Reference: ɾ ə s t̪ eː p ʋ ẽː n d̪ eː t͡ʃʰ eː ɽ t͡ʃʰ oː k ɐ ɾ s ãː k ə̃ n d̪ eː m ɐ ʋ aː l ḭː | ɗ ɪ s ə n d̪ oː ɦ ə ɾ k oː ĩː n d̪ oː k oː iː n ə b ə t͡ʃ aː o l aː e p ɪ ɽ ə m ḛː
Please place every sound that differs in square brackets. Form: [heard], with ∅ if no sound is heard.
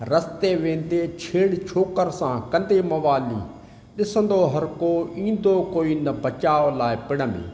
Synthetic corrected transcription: ɾ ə s t̪ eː [∅] ʋ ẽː n d̪ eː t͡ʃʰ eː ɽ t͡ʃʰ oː k [ə] ɾ s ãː k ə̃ n d̪ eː m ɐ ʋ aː l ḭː | ɗ ɪ s ə n d̪ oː ɦ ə ɾ k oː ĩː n d̪ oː k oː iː n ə b ə t͡ʃ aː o l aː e p ɪ ɽ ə m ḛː